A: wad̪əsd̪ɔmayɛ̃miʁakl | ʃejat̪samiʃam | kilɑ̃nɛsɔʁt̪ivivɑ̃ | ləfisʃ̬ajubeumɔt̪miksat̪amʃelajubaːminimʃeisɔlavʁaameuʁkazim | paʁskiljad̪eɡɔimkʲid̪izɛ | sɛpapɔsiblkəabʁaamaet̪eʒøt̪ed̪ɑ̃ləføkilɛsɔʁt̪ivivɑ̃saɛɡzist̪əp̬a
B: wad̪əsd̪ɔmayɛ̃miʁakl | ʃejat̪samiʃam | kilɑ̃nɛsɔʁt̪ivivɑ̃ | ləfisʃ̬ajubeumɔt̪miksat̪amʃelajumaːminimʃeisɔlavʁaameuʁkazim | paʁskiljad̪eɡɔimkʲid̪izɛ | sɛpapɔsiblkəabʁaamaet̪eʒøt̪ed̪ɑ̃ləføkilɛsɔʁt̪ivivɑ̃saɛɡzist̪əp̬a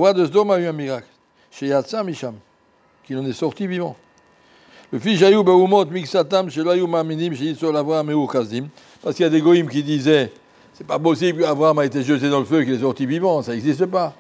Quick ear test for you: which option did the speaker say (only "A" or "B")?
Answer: B